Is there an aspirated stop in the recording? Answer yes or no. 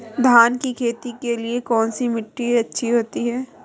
yes